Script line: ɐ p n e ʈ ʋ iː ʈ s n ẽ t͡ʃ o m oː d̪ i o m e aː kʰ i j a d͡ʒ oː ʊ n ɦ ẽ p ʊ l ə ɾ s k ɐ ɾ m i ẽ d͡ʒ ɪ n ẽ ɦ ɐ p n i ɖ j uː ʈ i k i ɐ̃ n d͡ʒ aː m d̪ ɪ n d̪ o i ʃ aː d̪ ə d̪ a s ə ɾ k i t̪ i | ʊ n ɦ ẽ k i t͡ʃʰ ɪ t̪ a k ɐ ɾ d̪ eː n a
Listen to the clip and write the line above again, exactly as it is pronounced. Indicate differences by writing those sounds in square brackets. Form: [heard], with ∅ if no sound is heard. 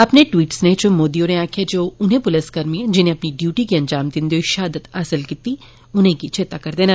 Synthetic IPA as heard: ɐ p n e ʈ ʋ iː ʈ s n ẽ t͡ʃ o m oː d̪ i o [n] e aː kʰ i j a d͡ʒ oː ʊ n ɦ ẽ p ʊ l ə [∅] s k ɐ ɾ m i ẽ d͡ʒ ɪ n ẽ [∅] ɐ p n i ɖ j uː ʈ i k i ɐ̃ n d͡ʒ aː m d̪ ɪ n d̪ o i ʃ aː d̪ ə [t̪] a s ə [l] k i t̪ i | ʊ n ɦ ẽ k i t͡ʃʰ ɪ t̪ a k ɐ ɾ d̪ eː n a